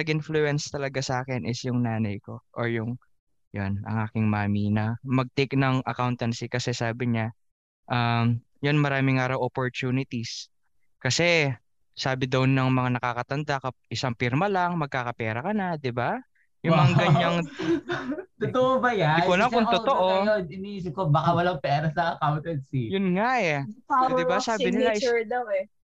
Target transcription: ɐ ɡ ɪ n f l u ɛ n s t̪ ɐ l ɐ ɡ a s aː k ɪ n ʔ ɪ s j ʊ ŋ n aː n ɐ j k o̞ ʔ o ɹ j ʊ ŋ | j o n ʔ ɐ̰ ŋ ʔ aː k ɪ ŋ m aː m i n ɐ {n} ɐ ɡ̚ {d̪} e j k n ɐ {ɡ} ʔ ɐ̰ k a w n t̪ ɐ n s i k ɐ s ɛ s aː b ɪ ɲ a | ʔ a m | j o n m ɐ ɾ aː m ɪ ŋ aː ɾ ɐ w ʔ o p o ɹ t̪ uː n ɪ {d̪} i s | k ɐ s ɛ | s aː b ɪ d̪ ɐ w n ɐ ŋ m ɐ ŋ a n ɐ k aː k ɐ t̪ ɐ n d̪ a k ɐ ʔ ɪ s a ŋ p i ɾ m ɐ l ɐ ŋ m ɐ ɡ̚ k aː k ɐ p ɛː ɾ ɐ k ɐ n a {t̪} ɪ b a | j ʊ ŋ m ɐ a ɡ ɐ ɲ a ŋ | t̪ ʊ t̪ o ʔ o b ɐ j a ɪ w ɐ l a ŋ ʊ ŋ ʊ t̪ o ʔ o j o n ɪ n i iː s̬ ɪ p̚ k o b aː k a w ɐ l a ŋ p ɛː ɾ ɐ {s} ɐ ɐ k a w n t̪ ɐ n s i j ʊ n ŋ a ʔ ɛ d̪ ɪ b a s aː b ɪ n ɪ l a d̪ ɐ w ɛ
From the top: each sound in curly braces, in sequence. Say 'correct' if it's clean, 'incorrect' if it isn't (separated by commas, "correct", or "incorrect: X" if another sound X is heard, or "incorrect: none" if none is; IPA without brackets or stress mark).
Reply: incorrect: m, incorrect: t̪, incorrect: ŋ, incorrect: t̪, incorrect: d̪, correct